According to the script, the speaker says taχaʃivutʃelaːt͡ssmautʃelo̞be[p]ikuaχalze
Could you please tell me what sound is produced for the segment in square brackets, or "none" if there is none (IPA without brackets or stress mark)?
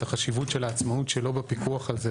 p